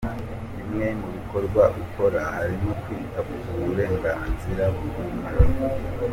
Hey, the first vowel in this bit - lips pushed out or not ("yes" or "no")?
no